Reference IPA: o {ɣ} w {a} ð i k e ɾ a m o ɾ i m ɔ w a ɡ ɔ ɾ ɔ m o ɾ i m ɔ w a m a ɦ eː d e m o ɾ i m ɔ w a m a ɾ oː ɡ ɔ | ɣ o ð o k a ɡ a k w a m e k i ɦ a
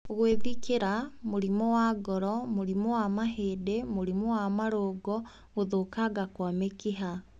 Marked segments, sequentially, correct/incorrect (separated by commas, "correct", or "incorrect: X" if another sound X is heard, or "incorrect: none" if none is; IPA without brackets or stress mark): correct, incorrect: e